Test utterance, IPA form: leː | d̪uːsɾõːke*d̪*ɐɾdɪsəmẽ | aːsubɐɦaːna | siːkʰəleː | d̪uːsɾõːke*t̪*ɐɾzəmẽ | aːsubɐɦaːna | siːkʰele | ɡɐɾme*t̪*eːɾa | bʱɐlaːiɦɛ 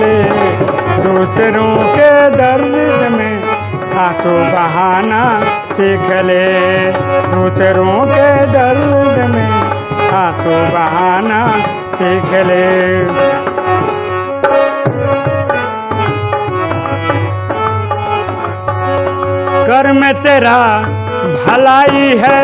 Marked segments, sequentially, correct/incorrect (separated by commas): correct, incorrect, correct